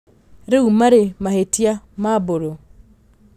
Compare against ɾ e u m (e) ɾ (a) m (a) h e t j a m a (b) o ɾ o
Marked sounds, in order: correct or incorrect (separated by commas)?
incorrect, incorrect, correct, correct